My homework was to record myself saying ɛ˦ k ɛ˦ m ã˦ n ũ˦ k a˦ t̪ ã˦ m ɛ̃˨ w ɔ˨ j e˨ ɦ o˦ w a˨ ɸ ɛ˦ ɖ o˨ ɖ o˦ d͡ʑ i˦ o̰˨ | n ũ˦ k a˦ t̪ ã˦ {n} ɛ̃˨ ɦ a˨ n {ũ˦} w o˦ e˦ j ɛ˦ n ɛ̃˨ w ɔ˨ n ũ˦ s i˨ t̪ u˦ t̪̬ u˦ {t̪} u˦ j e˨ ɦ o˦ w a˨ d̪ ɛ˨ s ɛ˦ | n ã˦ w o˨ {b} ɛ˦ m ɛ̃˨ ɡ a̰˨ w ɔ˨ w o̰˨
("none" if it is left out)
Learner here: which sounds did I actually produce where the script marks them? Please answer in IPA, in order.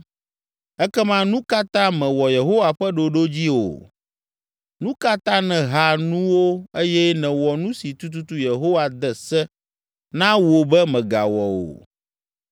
n, ũ˦, t̪, b

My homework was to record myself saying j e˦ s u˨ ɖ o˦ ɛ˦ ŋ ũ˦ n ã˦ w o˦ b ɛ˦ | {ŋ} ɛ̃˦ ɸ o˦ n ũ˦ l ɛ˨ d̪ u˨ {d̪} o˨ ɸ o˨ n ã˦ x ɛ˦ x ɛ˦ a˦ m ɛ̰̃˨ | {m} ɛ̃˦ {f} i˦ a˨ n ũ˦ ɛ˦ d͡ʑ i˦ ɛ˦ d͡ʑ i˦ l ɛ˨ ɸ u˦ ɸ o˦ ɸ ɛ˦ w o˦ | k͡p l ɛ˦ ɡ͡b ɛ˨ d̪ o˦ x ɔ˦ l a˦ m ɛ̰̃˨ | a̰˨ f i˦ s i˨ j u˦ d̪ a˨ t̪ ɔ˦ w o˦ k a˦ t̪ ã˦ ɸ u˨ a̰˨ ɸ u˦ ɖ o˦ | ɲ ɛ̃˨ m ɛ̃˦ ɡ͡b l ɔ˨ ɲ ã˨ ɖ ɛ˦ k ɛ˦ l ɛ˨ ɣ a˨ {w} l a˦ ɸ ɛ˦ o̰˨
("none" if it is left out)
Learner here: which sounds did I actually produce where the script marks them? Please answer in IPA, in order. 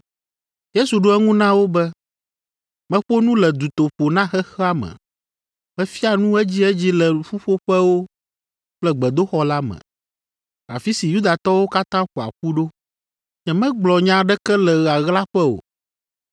m, t̪, m, f, ɣ

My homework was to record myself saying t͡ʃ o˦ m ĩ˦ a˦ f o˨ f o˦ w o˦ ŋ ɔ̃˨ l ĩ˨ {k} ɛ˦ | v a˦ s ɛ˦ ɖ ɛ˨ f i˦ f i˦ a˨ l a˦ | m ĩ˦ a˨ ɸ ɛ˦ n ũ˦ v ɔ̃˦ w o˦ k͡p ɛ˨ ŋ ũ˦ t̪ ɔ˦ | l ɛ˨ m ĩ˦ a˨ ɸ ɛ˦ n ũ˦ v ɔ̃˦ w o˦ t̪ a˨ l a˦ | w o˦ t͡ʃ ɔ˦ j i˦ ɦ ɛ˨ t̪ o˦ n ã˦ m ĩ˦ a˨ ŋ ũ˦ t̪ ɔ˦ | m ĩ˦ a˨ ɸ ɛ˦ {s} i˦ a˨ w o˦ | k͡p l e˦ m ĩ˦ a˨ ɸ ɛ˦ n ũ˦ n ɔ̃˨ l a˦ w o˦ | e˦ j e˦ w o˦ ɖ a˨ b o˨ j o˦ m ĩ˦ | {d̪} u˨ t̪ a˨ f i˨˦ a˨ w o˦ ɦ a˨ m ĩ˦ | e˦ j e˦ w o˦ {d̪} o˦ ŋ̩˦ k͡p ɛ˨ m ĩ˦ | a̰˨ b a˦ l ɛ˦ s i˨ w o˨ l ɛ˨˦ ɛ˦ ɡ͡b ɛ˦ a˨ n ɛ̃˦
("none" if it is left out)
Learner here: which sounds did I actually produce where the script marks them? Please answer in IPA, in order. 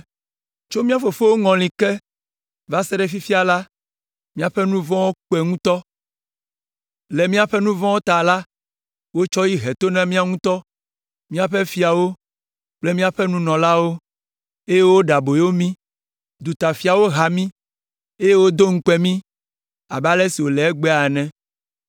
k, f, d̪, d̪

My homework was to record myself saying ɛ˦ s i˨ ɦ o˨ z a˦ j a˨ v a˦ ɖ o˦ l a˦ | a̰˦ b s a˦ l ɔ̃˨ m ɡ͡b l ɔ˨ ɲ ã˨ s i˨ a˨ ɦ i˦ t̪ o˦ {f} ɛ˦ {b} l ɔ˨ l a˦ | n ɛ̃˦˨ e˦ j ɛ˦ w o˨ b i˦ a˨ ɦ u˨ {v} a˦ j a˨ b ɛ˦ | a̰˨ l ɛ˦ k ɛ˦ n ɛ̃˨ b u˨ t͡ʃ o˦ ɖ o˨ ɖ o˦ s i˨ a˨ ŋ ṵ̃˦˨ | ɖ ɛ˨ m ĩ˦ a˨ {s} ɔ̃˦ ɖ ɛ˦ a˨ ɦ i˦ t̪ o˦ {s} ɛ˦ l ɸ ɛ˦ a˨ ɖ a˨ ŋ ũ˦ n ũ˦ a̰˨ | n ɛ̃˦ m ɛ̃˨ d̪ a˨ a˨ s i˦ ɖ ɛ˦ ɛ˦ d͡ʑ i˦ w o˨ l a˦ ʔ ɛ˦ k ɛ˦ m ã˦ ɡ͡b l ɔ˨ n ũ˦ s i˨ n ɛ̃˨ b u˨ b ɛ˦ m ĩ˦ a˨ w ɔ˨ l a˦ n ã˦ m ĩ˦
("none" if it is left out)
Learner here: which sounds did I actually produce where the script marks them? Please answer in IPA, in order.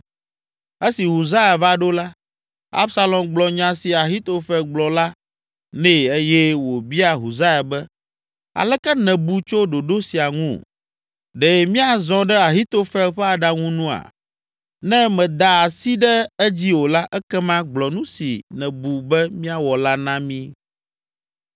f, ɡ͡b, z, z, f

